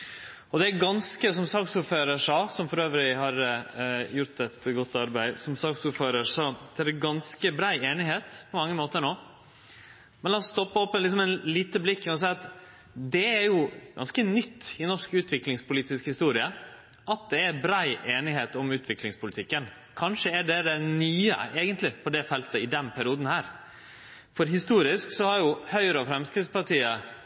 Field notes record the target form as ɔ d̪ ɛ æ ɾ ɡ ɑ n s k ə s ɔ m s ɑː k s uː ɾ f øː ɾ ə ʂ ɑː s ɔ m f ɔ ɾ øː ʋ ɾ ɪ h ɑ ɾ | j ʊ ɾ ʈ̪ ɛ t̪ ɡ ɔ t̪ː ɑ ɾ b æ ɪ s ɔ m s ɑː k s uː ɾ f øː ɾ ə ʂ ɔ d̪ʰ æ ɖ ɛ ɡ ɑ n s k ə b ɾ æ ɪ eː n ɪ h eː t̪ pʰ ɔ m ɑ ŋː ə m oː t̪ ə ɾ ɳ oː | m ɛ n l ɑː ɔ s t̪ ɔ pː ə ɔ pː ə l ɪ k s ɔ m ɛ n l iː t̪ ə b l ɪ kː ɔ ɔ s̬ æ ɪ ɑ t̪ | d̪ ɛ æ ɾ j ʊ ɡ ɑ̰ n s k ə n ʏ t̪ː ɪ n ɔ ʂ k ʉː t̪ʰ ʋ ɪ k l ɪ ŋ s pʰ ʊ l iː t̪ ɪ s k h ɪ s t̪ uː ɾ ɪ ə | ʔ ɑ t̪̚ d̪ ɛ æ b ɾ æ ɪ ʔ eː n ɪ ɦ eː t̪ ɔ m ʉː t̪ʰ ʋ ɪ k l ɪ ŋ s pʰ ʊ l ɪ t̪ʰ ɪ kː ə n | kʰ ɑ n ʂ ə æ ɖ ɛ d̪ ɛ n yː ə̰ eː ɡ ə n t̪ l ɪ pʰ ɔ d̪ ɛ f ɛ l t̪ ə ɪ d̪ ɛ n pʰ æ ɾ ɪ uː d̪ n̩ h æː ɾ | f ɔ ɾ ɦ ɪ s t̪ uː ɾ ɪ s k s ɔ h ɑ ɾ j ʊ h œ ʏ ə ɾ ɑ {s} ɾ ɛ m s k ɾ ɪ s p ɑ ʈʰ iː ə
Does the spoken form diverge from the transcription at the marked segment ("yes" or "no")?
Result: yes